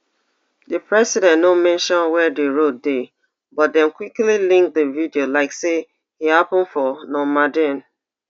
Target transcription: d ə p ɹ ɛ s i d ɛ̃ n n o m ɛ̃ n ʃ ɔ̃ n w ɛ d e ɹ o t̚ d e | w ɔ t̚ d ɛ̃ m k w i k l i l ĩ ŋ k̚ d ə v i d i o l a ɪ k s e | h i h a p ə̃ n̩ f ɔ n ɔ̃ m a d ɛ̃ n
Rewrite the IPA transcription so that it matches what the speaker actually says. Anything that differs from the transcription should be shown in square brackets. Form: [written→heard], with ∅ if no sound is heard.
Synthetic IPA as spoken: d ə p ɹ ɛ s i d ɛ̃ n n o m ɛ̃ n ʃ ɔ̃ n w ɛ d e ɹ o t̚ d e | [w→b] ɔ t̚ d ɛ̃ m k w i k l i l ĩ ŋ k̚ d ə v i d i o l a ɪ k s e | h i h a p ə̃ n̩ f ɔ n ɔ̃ m a d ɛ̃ n